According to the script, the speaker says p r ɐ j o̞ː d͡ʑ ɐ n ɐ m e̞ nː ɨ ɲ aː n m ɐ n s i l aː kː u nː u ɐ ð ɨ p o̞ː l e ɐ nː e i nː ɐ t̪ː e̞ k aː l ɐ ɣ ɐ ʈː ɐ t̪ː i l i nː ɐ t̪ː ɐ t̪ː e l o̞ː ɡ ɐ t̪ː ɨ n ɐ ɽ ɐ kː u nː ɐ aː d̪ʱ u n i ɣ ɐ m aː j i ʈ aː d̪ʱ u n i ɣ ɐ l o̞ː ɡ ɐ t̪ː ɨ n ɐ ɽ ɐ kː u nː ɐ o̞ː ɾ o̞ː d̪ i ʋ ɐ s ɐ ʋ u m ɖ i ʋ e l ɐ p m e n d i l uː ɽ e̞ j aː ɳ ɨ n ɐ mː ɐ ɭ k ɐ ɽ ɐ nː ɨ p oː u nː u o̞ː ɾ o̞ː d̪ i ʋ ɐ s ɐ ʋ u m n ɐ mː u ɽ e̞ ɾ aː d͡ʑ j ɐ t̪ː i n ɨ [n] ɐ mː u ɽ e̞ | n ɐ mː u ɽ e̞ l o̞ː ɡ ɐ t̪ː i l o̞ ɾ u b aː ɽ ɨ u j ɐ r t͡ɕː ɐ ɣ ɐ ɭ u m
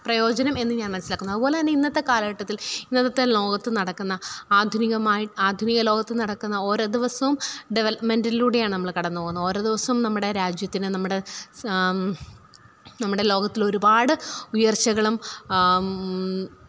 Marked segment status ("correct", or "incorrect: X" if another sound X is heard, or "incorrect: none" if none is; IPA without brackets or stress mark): correct